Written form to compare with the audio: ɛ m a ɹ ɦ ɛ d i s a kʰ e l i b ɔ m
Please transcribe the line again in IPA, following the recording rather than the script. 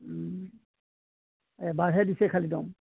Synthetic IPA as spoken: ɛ b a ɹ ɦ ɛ d i s ɛ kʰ a l i d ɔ m